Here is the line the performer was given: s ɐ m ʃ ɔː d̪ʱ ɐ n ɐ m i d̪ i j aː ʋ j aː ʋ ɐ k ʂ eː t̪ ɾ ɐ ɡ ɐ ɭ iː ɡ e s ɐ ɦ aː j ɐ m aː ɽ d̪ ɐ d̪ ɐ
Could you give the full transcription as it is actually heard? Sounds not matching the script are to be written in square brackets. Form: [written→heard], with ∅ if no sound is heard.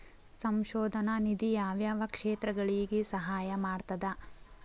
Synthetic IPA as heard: s ɐ m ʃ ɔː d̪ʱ ɐ n ɐ [m→n] i d̪ i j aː ʋ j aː ʋ ɐ k ʂ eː t̪ ɾ ɐ ɡ ɐ ɭ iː ɡ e s ɐ ɦ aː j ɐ m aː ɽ [d̪→t̪] ɐ d̪ ɐ